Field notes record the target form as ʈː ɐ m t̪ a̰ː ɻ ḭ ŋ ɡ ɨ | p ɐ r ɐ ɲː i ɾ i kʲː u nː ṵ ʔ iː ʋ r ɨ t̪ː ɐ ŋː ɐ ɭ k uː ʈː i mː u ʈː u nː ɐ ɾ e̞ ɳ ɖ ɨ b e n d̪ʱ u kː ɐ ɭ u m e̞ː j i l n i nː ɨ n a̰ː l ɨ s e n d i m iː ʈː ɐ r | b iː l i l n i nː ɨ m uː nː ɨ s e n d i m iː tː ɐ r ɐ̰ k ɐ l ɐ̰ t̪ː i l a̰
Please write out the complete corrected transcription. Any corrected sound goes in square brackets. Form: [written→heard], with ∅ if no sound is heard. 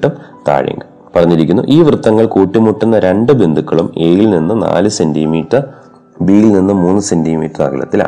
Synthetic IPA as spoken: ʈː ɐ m t̪ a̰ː ɻ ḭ ŋ ɡ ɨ | p ɐ r ɐ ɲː i ɾ i kʲː u nː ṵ ʔ iː ʋ r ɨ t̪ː ɐ ŋː ɐ ɭ k uː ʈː i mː u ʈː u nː ɐ ɾ e̞ ɳ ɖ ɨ b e n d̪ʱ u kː ɐ ɭ u m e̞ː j i l n i nː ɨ n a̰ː l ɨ s e n d i m iː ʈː ɐ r | b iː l i l n i nː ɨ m uː nː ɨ s e n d i m iː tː ɐ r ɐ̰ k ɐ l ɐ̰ t̪ː i l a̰